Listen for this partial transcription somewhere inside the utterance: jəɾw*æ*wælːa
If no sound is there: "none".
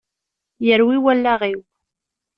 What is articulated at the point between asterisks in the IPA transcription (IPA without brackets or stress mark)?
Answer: i